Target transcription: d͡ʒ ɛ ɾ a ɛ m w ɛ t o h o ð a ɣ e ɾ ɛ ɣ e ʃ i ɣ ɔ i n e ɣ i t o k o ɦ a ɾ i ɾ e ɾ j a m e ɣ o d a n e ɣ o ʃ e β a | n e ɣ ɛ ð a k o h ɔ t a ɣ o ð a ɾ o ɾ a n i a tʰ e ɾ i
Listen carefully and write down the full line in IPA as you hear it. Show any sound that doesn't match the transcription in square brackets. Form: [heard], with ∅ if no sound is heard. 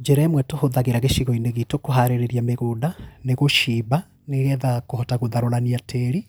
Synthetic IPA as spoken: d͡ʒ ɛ ɾ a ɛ m w ɛ t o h o ð a ɣ e ɾ [a] ɣ e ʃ i ɣ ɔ i n e ɣ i t o k o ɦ a ɾ [e] ɾ e ɾ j a m e ɣ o d a n e ɣ o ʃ [i] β a | n e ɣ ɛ ð a k o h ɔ t a ɣ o ð a ɾ o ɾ a n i a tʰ e ɾ i